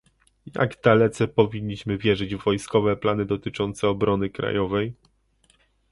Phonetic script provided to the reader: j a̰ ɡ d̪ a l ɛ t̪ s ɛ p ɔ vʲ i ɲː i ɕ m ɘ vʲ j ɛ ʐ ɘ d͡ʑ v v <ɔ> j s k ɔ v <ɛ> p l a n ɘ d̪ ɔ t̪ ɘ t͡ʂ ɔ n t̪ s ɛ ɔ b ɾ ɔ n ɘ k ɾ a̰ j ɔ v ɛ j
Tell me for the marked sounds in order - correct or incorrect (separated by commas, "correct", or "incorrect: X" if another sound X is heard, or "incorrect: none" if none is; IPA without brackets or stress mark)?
correct, correct